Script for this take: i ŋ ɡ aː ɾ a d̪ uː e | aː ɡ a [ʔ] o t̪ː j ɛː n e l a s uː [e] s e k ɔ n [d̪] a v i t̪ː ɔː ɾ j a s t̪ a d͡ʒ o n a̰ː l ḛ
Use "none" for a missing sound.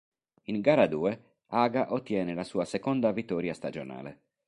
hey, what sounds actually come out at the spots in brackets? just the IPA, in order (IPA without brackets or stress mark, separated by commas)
ʔ, a, d̪